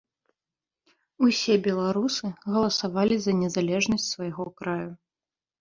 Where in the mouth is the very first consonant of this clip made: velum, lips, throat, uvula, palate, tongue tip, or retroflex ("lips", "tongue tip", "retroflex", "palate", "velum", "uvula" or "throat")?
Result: tongue tip